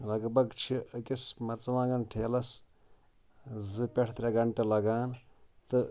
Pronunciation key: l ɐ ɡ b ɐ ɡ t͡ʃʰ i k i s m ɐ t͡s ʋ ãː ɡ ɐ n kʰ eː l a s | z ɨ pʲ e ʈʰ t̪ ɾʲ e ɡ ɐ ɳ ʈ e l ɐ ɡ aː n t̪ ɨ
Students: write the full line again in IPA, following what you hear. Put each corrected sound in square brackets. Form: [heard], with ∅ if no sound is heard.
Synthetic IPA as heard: l ɐ ɡ b ɐ ɡ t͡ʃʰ i k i s m ɐ t͡s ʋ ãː ɡ ɐ n [ʈʰ] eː l [ɐ] s | z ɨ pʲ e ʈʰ t̪ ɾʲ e ɡ ɐ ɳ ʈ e l ɐ ɡ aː n t̪ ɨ